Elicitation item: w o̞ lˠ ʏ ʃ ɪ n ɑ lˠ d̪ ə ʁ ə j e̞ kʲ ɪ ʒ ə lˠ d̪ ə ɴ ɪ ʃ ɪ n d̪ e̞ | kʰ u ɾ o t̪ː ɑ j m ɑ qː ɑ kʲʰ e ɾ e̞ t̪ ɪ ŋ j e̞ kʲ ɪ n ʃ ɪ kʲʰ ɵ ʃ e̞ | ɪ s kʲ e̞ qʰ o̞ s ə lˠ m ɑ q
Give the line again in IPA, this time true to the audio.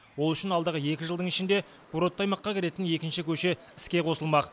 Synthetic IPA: w o̞ lˠ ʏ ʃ ɪ n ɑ lˠ d̪ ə ʁ ə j e̞ kʲ ɪ ʒ ə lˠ d̪ ə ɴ ɪ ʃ ɪ n d̪ e̞ | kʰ u ɾ o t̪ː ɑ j m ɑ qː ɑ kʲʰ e ɾ e̞ t̪ ɪ n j e̞ kʲ ɪ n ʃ ɪ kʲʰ ɵ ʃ e̞ | ɪ s kʲ e̞ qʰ o̞ s ə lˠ m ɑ q